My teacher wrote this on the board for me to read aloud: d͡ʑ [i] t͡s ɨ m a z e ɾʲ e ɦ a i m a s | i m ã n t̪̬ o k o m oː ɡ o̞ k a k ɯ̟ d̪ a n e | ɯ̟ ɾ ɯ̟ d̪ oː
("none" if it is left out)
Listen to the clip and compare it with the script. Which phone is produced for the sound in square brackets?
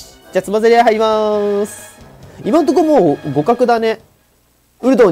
a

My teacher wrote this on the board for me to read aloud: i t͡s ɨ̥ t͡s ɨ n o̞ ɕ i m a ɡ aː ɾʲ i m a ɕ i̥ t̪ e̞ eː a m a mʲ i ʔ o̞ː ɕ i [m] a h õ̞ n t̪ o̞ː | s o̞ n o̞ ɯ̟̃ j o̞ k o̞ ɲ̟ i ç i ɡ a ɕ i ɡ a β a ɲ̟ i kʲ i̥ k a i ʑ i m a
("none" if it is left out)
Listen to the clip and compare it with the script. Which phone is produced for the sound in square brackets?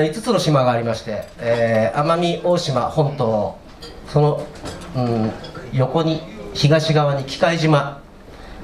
m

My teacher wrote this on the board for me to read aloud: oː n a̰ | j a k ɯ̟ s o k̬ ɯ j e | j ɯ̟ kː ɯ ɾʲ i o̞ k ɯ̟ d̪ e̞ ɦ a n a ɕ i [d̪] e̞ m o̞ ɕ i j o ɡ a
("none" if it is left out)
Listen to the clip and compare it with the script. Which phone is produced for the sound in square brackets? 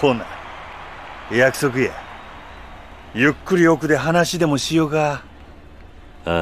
d̪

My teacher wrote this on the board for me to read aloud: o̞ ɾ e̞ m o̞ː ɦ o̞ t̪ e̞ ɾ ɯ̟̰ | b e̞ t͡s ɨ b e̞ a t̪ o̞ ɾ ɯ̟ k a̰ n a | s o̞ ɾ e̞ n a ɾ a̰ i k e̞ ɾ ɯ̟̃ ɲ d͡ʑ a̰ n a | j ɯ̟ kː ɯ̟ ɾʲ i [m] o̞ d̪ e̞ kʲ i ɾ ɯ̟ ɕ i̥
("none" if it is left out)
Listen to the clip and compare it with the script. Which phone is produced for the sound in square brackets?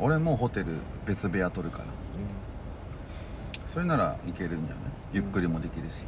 m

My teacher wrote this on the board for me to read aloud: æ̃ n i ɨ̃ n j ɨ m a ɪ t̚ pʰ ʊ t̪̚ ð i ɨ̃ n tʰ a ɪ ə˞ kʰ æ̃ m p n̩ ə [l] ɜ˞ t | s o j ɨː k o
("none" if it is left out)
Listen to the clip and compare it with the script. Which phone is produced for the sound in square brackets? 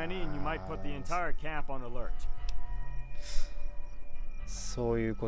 l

